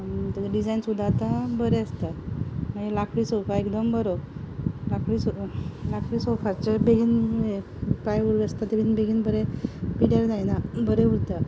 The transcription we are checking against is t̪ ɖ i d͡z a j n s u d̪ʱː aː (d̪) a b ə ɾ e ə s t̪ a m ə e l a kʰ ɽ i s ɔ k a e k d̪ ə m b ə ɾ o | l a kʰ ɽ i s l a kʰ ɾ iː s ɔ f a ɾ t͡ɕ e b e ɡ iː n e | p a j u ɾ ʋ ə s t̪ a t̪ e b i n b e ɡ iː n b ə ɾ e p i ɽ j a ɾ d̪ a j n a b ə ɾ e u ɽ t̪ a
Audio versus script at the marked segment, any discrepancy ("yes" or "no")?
yes